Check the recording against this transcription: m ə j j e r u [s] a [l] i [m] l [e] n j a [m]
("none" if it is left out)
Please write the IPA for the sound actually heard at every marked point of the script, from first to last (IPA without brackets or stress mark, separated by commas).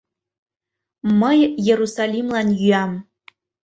s, l, m, a, m